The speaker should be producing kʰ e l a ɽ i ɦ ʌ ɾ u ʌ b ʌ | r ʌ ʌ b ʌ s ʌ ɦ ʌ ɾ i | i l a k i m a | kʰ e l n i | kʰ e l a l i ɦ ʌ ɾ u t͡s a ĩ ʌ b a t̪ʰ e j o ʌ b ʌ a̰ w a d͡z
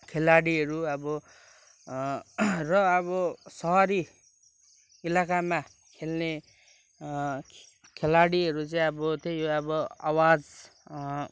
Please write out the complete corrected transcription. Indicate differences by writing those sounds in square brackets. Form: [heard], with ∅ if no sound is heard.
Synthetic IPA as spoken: kʰ e l a ɽ i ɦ ʌ ɾ u ʌ b ʌ | r ʌ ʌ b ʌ s ʌ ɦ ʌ ɾ i | i l a k [a] m a | kʰ e l n [e] | kʰ e l a [ɽ] i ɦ ʌ ɾ u t͡s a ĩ ʌ b [ʌ] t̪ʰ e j o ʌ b ʌ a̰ w a d͡z